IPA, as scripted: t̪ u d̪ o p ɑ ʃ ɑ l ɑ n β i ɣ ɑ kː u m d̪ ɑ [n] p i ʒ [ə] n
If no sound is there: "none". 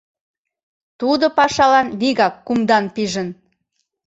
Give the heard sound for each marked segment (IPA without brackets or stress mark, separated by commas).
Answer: n, ə